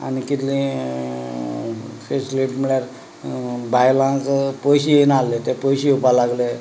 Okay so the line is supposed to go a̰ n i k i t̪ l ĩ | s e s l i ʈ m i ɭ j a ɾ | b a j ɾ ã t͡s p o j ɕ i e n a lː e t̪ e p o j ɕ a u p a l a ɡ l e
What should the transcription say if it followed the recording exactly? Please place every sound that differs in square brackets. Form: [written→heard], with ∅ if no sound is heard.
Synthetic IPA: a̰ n i k i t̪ l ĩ | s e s l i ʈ m i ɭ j a ɾ | b a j [ɾ→l] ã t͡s p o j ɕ i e n a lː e t̪ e p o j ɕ [a→i] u p a l a ɡ l e